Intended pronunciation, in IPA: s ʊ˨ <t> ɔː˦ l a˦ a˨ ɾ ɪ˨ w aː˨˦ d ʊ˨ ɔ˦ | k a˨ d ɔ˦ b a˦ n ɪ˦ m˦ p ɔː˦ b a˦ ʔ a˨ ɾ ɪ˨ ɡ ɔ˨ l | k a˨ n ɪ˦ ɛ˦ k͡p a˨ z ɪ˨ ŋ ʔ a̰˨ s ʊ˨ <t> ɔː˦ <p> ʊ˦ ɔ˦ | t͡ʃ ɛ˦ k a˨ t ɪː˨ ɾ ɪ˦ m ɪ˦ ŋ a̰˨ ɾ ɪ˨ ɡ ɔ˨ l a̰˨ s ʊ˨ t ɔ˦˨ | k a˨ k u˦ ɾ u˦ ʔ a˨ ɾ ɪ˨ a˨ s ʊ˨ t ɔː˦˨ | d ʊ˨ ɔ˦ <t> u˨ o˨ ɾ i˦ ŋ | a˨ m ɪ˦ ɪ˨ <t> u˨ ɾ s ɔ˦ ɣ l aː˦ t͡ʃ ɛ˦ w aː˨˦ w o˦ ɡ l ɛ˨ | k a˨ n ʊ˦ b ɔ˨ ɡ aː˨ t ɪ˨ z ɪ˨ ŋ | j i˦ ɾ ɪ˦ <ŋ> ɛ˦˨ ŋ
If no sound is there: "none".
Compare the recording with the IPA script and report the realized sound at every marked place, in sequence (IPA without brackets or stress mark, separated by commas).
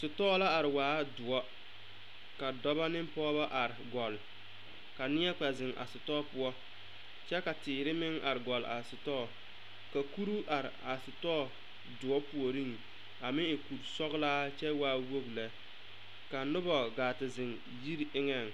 t, t, p, p, k, ŋ